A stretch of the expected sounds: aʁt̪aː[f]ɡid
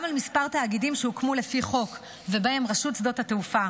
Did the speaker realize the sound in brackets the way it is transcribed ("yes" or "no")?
no